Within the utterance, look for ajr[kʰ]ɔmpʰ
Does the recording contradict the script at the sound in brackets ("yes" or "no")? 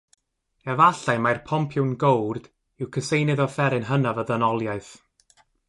yes